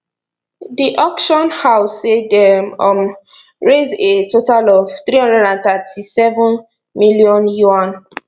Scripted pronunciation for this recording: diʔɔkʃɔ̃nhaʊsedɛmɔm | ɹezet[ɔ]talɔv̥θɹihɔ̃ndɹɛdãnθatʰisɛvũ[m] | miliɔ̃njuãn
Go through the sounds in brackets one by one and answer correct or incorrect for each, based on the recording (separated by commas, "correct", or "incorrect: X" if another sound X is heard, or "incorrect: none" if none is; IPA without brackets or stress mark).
incorrect: o, incorrect: n